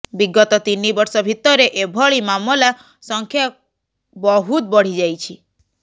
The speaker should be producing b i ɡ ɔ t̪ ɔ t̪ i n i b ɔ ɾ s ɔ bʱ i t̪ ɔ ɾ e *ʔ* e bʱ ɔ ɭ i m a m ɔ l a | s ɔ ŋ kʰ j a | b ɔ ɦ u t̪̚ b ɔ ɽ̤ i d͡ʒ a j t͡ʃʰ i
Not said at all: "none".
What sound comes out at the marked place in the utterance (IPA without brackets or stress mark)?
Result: ʔ